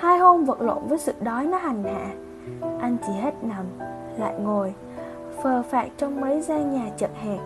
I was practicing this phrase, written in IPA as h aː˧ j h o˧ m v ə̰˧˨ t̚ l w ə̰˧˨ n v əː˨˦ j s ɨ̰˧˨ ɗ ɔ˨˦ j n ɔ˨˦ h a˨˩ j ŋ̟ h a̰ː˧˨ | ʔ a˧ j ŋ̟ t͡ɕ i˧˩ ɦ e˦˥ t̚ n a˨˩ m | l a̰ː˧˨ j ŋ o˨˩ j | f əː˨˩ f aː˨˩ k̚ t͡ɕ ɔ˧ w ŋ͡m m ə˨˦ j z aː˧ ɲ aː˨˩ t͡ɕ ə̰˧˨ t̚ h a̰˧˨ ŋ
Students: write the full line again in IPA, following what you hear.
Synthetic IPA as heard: h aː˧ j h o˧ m v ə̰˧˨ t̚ l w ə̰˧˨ n v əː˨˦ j s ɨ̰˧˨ ɗ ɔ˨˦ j n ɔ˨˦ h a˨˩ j ŋ̟ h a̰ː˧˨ | ʔ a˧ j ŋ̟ t͡ɕ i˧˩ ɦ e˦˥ t̚ n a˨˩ m | l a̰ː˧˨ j ŋ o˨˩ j | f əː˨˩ f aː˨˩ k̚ t͡ɕ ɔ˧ w ŋ͡m m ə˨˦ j z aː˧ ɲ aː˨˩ t͡ɕ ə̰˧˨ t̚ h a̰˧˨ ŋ